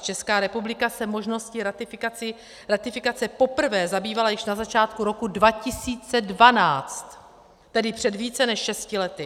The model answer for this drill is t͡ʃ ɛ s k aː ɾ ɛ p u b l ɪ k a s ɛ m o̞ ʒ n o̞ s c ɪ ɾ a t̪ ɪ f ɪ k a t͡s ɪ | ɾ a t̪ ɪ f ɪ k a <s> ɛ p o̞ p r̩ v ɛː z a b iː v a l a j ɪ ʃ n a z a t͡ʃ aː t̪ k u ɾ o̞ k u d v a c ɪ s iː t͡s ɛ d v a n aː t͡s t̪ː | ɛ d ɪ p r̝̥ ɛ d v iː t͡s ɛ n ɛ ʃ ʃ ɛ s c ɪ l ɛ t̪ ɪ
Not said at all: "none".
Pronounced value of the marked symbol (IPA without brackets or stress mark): t͡s